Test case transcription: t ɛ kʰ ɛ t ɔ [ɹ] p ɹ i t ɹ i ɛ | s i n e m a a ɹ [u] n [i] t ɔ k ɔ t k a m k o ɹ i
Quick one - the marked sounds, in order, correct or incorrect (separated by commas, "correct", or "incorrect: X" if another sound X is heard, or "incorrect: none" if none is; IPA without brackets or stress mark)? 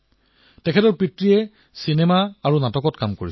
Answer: correct, correct, incorrect: a